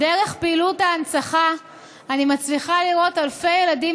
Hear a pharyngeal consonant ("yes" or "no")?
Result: no